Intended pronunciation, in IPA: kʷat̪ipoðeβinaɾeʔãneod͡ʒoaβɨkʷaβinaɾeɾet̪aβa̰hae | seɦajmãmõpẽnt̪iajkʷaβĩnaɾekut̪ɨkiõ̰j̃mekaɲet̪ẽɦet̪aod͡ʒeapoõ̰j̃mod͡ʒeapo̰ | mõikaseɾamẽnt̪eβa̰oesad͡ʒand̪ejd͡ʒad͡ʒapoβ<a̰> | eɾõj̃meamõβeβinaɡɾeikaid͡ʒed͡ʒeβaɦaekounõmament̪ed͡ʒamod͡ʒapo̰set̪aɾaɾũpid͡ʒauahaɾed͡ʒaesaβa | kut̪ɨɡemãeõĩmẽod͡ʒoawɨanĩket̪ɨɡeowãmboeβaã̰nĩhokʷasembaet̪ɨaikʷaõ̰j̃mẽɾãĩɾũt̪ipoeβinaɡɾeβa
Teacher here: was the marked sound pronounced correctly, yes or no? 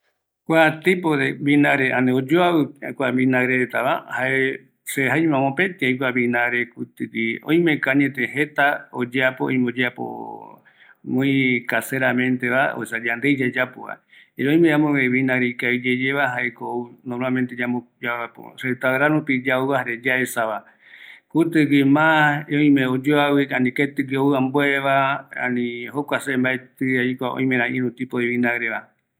yes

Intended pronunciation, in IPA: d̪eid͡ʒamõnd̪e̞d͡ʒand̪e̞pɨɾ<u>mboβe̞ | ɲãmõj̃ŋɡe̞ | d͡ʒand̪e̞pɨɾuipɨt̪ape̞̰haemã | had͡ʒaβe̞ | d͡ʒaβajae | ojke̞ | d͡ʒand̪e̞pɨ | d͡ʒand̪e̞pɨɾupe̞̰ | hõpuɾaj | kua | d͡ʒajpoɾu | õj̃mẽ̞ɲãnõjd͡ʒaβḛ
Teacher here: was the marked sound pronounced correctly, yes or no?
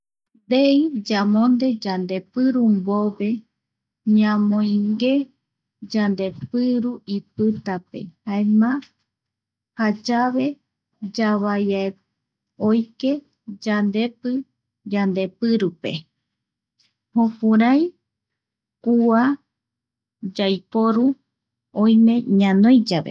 yes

